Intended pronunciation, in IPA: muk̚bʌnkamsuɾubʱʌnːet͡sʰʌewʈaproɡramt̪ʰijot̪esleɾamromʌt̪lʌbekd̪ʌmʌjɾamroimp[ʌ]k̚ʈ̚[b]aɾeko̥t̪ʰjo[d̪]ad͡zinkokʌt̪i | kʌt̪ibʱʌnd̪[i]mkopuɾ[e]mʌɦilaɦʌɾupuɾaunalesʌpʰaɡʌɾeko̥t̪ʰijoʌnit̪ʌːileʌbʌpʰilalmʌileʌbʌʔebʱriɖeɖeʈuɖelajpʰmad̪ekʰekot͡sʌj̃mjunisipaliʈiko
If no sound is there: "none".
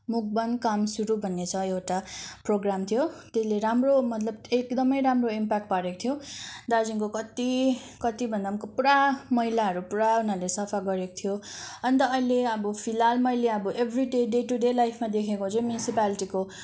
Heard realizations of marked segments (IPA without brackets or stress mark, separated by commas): a, p, d̪, a, a